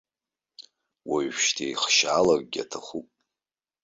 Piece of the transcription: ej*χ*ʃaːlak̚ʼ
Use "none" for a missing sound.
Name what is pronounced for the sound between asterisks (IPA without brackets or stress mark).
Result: χ